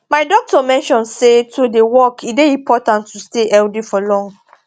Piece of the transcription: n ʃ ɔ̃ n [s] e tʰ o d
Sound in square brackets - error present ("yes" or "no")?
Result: no